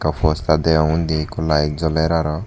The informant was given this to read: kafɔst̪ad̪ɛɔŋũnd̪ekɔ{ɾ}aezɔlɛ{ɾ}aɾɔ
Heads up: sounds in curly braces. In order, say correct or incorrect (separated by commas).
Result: incorrect, correct